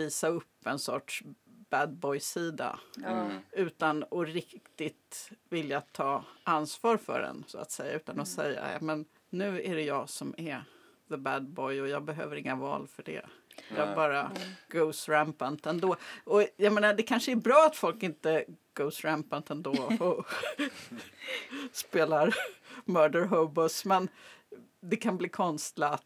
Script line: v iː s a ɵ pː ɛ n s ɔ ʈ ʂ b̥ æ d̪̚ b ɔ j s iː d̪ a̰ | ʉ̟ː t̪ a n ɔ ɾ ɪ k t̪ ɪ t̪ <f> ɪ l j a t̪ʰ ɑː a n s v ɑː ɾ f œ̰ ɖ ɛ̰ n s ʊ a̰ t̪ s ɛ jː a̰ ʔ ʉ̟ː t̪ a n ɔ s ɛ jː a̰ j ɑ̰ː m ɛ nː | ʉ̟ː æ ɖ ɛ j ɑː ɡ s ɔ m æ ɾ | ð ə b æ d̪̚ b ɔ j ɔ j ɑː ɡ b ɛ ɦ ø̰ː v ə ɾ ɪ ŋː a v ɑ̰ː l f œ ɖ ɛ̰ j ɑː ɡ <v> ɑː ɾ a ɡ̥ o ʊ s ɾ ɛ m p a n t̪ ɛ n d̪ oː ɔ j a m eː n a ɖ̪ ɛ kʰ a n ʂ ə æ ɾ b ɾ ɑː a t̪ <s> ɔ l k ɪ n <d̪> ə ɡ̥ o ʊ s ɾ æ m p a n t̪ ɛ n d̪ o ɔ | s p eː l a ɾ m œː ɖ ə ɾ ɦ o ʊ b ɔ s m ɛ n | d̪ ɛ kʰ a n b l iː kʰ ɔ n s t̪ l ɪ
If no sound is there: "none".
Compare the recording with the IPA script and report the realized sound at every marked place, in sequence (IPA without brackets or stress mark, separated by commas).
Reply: v, b, f, t̪